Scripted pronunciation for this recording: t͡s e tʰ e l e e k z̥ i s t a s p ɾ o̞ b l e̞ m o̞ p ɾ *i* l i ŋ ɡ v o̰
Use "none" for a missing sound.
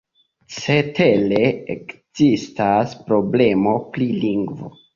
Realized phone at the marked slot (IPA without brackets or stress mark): i